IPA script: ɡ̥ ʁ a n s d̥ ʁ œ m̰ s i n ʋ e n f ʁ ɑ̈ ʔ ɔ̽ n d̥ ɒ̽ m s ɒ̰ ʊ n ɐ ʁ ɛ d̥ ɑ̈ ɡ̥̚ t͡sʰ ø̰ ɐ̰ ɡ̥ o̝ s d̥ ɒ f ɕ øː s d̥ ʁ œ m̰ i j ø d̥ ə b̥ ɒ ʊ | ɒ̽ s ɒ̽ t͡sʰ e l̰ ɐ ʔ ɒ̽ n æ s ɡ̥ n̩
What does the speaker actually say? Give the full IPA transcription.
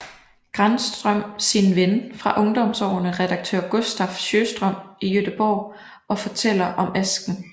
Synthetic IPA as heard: ɡ̥ ʁ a n s d̥ ʁ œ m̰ s i n ʋ e n f ʁ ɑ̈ ʔ ɔ̽ ŋ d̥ ɒ̽ m s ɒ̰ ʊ n ə ʁ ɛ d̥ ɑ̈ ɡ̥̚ t͡sʰ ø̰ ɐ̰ ɡ̥ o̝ s d̥ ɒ f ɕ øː s d̥ ʁ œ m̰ i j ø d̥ ə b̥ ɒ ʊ | ɒ̽ f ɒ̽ t͡sʰ e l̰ ɐ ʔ ɒ̽ m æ s ɡ̥ n̩